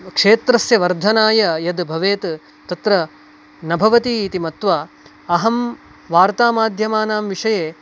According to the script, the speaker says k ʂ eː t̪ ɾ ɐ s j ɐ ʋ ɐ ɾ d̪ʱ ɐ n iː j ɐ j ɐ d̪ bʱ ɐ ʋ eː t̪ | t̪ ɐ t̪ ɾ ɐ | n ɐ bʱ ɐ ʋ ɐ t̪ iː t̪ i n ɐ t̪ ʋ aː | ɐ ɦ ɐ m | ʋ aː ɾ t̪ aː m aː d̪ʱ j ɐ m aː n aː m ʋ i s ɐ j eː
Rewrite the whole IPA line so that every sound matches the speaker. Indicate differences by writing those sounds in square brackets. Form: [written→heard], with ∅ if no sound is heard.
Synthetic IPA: k ʂ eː t̪ ɾ ɐ s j ɐ ʋ ɐ ɾ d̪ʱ ɐ n [iː→aː] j ɐ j ɐ d̪ bʱ ɐ ʋ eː t̪ | t̪ ɐ t̪ ɾ ɐ | n ɐ bʱ ɐ ʋ ɐ t̪ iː t̪ i [n→m] ɐ t̪ ʋ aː | ɐ ɦ ɐ m | ʋ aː ɾ t̪ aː m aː d̪ʱ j ɐ m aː n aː m ʋ i [s→ʂ] ɐ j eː